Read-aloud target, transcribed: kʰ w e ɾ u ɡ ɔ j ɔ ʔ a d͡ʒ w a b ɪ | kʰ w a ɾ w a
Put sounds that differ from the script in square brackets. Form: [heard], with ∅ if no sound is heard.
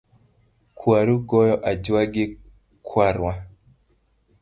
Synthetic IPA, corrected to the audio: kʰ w [a] ɾ u ɡ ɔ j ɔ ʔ a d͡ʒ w a [ɡ] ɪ | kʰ w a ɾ w a